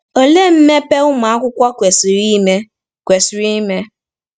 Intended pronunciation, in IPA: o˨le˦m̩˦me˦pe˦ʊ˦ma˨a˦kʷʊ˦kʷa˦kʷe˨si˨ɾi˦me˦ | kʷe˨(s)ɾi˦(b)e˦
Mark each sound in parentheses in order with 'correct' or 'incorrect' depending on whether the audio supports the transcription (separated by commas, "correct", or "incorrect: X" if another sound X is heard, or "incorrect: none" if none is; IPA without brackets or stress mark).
correct, incorrect: m